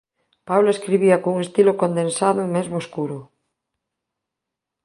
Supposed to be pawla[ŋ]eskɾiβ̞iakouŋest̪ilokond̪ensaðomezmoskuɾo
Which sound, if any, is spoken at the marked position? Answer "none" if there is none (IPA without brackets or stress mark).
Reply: none